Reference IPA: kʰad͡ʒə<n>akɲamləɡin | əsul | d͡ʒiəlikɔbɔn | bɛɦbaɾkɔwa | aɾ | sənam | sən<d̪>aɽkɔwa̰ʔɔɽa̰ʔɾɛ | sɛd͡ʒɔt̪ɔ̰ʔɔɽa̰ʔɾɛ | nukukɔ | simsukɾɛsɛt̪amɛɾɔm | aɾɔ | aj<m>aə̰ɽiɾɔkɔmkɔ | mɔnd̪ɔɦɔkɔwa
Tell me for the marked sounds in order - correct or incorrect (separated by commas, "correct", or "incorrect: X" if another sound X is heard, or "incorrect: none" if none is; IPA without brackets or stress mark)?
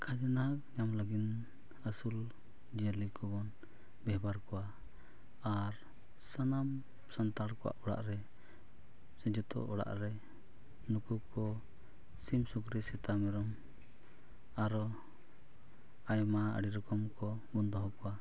correct, incorrect: t̪, correct